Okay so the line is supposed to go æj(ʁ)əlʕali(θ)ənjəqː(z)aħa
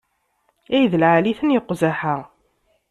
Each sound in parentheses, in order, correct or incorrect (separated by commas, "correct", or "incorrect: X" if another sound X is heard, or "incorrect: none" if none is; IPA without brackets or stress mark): incorrect: ð, correct, correct